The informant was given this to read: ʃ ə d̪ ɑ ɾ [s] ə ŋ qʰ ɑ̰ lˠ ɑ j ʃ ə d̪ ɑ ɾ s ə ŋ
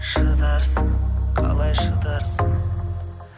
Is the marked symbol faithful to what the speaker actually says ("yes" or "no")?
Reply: yes